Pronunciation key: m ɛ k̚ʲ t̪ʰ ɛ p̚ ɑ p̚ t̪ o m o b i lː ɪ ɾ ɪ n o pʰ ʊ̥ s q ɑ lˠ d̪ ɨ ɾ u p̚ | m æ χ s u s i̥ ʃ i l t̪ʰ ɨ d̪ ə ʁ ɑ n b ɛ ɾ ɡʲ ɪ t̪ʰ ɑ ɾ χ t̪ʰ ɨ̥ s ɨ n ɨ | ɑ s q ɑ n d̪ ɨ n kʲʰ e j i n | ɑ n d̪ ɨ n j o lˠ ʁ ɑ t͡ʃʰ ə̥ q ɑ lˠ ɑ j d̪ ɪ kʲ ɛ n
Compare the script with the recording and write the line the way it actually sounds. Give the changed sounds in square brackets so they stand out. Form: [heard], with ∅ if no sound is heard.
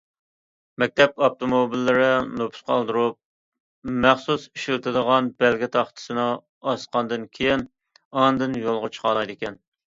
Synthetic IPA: m ɛ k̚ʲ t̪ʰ ɛ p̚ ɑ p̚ t̪ o m o b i lː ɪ ɾ ɪ n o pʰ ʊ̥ s q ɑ lˠ d̪ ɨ ɾ u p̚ | m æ χ s u s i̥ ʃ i l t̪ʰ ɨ d̪ ə ʁ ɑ n b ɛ [l] ɡʲ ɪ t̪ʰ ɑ [∅] χ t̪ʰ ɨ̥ s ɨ n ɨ | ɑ s q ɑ n d̪ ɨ n kʲʰ e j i n | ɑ n d̪ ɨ n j o lˠ ʁ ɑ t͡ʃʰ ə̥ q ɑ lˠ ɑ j d̪ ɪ kʲ ɛ n